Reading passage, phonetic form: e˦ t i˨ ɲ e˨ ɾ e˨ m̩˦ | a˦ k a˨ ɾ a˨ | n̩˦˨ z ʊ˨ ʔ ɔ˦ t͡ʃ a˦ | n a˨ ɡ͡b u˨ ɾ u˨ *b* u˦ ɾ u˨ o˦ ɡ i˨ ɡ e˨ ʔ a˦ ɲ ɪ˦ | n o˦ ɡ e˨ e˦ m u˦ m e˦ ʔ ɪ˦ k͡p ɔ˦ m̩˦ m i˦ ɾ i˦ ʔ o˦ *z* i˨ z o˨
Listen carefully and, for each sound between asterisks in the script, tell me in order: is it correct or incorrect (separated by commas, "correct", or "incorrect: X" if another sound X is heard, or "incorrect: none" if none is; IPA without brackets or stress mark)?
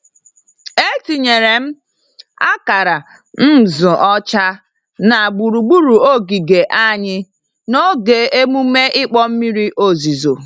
incorrect: ɡ͡b, correct